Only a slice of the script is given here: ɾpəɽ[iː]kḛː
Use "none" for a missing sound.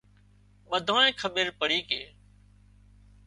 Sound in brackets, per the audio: iː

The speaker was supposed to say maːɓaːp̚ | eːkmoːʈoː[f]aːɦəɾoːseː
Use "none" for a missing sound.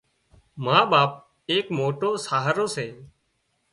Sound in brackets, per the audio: s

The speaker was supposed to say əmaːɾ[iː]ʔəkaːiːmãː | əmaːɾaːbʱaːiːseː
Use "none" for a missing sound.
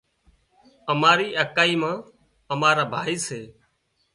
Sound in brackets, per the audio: iː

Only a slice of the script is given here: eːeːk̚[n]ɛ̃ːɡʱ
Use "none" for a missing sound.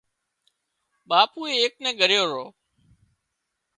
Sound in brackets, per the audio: n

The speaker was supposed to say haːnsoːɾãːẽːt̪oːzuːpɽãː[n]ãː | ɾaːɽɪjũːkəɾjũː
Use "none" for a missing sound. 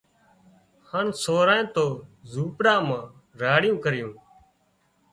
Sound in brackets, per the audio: m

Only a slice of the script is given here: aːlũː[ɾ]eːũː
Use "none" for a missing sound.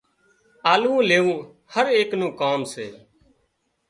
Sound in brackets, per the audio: l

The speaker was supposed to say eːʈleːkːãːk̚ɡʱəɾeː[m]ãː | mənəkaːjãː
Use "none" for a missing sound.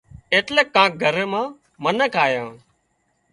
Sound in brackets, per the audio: m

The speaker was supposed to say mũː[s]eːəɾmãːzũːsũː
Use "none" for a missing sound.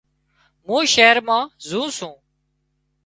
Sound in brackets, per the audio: ʃ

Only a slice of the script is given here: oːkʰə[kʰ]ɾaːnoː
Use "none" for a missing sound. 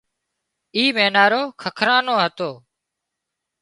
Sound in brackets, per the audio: kʰ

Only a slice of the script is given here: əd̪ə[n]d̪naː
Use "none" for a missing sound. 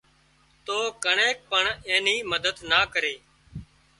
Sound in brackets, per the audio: none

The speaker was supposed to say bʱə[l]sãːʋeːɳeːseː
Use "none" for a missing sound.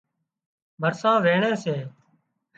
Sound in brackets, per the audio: ɾ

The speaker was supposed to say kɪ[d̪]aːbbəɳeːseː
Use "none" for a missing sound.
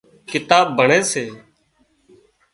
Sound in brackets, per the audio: t̪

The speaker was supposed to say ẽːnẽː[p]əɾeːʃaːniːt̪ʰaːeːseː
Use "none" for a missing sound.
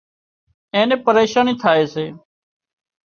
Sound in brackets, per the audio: p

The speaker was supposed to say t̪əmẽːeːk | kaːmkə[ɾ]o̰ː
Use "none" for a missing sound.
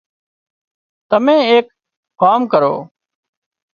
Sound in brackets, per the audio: ɾ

